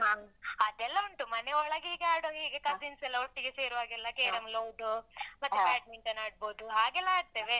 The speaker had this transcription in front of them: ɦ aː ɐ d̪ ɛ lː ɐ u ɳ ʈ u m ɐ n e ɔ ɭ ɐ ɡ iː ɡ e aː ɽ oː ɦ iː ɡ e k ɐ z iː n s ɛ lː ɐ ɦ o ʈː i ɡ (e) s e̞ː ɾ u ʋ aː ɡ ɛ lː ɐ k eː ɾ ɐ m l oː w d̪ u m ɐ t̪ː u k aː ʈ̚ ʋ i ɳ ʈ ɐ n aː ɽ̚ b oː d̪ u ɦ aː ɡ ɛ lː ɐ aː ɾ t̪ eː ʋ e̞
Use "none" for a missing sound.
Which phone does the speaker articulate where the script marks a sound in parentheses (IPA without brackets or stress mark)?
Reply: e